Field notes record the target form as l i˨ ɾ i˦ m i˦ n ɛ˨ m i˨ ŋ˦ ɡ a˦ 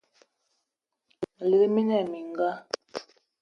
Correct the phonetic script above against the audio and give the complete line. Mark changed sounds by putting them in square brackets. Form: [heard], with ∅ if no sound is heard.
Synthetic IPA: l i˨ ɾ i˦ m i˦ n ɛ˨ m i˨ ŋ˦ ɡ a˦